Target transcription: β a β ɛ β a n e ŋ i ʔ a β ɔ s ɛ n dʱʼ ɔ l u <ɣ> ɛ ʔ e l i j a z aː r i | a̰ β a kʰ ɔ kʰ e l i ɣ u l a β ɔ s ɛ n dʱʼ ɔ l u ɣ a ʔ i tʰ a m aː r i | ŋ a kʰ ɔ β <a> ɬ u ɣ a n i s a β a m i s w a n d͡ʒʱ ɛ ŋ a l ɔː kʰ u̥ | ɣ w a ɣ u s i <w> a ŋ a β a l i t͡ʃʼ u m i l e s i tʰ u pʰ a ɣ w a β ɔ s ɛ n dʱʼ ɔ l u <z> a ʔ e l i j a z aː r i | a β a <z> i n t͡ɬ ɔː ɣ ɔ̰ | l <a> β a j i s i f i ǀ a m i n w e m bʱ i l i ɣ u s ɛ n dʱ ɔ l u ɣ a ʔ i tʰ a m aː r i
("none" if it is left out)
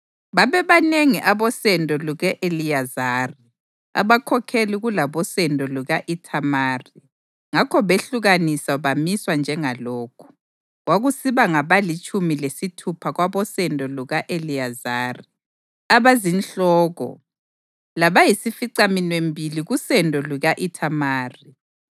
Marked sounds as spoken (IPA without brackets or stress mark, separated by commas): ɣ, e, β, ɣ, z, a